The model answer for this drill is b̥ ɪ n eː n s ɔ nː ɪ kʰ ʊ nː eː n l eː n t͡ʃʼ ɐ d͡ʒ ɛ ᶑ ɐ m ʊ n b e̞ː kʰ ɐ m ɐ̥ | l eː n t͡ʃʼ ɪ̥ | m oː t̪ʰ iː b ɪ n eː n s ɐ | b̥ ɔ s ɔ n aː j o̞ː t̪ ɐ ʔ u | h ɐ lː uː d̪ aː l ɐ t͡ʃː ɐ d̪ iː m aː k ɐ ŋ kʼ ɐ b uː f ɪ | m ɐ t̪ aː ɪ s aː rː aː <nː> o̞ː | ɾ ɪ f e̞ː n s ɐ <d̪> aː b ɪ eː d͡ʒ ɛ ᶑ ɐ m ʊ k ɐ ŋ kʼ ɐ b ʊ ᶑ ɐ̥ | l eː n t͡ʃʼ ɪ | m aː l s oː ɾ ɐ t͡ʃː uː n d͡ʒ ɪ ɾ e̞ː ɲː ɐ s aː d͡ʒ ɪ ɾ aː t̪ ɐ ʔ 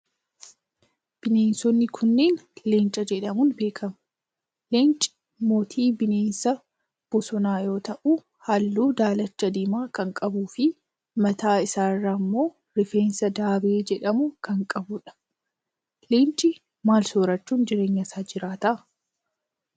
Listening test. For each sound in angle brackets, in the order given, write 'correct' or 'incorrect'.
incorrect: mː, correct

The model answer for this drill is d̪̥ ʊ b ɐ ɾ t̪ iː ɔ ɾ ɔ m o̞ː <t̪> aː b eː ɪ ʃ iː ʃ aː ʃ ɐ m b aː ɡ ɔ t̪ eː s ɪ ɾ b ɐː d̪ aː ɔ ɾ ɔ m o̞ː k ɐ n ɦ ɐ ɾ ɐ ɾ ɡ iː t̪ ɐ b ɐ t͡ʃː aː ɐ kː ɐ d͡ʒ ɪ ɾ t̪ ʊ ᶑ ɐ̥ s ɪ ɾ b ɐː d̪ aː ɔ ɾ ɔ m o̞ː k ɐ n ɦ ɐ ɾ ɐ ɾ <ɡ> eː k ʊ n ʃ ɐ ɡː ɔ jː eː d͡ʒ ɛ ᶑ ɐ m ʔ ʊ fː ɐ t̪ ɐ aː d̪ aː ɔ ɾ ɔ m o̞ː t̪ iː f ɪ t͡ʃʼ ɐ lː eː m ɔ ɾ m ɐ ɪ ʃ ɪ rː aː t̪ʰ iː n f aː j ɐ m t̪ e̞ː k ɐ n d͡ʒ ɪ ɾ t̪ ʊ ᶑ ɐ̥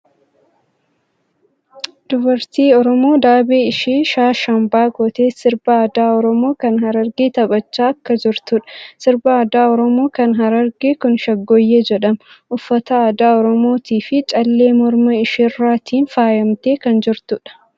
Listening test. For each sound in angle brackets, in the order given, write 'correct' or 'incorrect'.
incorrect: d̪, correct

